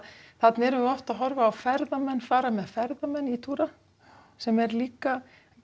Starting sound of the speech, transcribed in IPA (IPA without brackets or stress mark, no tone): θ